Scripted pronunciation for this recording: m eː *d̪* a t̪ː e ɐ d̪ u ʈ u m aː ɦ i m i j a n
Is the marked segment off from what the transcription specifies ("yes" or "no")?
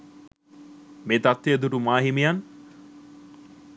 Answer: yes